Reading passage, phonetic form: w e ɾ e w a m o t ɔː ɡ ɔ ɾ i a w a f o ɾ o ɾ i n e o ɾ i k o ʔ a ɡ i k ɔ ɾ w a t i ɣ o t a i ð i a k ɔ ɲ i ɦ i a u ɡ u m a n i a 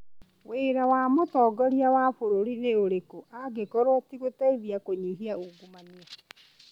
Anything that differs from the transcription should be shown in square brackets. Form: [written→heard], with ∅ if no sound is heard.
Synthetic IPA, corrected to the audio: w e ɾ [e→a] w a m o t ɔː ɡ ɔ ɾ i a w a f o ɾ o ɾ i n e o ɾ [i→e] k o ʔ a ɡ [i→e] k ɔ ɾ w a t i ɣ o t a i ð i a k [ɔ→o] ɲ i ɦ i a u ɡ u m a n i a